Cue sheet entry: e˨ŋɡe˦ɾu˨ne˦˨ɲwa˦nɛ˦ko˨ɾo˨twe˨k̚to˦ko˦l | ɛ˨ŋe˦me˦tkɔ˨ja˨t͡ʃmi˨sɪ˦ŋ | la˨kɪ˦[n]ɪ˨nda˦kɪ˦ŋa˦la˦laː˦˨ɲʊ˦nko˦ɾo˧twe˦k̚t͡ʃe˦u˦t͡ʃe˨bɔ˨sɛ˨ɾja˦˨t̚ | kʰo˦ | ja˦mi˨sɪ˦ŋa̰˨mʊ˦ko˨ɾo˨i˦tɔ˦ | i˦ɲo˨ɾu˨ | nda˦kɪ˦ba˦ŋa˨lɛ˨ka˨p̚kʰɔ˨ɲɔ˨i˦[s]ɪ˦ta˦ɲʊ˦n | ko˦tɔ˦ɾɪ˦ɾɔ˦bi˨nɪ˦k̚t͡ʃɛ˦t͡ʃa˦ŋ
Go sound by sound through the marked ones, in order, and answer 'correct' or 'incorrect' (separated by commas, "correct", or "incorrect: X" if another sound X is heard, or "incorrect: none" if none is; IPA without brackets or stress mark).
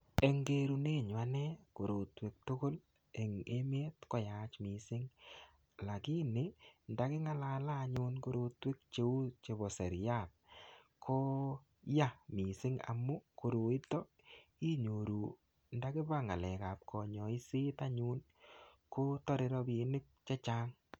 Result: correct, correct